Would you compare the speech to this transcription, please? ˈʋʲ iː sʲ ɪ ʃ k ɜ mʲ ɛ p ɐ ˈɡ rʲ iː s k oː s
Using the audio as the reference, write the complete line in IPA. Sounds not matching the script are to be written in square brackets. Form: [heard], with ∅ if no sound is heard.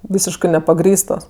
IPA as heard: ˈʋʲ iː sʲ ɪ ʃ k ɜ [nʲ] ɛ p ɐ ˈɡ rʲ iː s [t] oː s